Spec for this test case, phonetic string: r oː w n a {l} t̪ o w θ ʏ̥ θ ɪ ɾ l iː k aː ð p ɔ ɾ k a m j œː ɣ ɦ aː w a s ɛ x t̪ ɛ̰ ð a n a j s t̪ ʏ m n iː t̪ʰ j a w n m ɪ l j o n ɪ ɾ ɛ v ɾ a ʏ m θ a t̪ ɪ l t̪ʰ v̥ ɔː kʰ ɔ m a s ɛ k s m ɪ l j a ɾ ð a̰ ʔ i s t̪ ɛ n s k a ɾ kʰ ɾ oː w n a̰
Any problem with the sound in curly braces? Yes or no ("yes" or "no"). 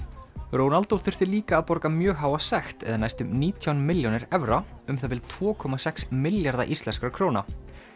no